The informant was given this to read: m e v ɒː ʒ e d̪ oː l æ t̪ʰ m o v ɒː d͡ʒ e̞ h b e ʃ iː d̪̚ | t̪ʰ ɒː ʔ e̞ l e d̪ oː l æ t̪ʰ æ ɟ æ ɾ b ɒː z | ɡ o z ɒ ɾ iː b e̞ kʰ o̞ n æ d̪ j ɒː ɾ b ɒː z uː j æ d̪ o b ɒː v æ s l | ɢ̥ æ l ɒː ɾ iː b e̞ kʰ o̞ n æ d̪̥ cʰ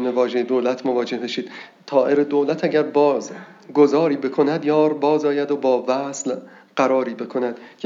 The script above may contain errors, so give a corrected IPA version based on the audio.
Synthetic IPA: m e v ɒː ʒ e d̪ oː l æ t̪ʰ m o v ɒː d͡ʒ e̞ h b e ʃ iː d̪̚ | t̪ʰ ɒː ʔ e̞ ɾ e d̪ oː l æ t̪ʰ æ ɟ æ ɾ b ɒː z | ɡ o z ɒː ɾ iː b e̞ kʰ o̞ n æ d̪ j ɒː ɾ b ɒː z ɒː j æ d̪ o b ɒː v æ s l | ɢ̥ æ ɾ ɒː ɾ iː b e̞ kʰ o̞ n æ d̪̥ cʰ